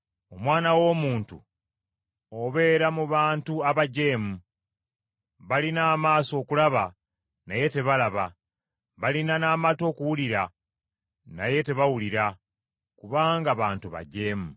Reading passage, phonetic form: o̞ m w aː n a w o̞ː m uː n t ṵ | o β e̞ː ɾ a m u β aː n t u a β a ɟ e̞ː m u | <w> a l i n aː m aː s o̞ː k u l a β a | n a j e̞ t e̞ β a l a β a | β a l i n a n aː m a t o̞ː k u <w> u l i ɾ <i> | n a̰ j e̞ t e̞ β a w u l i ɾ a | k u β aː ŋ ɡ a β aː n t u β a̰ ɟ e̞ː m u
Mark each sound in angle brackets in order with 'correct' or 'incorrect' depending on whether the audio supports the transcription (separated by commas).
incorrect, correct, incorrect